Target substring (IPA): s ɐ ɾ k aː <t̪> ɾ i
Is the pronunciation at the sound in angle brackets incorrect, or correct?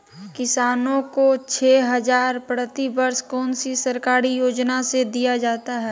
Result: incorrect